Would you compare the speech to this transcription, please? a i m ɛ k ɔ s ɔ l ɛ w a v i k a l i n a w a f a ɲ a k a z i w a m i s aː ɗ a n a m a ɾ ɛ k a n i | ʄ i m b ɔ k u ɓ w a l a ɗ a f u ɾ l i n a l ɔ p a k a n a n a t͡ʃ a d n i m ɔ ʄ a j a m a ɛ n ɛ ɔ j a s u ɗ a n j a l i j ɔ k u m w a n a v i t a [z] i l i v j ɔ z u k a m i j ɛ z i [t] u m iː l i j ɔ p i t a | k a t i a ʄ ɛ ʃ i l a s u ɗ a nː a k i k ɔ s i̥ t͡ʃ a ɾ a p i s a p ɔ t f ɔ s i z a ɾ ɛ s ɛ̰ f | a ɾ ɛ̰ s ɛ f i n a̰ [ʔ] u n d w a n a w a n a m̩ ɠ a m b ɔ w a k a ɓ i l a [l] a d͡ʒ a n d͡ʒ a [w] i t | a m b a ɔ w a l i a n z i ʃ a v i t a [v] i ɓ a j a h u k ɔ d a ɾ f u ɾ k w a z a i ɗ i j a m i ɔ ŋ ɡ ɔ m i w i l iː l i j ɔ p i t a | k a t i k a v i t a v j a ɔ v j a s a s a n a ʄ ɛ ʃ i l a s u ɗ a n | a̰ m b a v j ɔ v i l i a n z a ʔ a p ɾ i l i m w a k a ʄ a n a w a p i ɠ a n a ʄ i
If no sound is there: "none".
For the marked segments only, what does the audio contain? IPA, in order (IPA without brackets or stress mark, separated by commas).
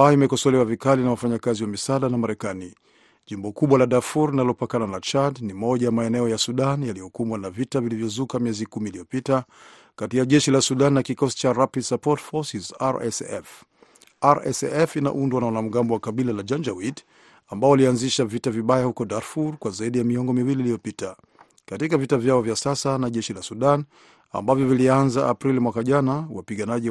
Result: v, k, ʔ, l, w, v